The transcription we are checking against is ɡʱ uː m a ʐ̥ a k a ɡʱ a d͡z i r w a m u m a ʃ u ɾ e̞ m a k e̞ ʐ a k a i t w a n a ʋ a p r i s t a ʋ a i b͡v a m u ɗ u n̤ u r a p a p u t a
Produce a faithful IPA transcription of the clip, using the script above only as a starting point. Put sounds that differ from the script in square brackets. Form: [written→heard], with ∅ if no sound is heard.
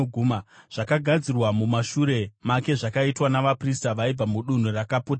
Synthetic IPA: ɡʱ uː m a ʐ̥ a k a ɡʱ a d͡z i r w a m u m a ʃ u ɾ e̞ m a k e̞ ʐ a k a i t w a n a ʋ a p r i s t a ʋ a i b͡v a m u ɗ u n̤ u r a [p→k] a p u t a